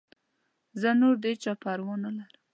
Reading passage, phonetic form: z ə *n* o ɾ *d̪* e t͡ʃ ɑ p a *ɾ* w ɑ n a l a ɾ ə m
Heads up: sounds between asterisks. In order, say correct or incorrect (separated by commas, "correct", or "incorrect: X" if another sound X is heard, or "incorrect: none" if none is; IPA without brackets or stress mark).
correct, correct, correct